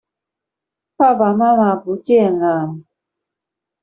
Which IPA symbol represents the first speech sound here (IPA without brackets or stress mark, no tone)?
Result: p